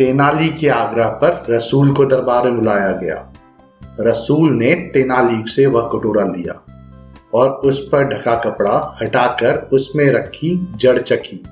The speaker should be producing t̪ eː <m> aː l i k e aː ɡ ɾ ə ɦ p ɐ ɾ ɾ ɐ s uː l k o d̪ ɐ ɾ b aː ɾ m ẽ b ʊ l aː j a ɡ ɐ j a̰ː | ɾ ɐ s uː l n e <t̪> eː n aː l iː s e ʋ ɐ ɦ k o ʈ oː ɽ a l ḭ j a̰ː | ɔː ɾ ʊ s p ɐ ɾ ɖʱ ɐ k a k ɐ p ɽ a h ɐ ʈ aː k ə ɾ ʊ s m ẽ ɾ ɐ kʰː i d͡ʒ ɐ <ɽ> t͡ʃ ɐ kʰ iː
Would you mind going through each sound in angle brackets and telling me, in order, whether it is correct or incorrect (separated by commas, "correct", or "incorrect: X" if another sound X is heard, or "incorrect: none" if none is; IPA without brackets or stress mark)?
incorrect: n, correct, correct